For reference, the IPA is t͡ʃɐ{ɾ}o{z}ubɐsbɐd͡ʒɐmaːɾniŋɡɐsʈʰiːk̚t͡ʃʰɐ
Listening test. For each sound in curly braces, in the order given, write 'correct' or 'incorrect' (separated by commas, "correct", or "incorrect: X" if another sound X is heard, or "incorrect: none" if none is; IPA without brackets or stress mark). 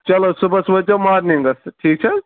incorrect: l, incorrect: s